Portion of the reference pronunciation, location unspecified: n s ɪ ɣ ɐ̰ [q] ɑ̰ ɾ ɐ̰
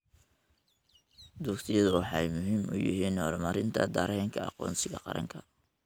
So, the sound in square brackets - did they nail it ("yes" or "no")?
yes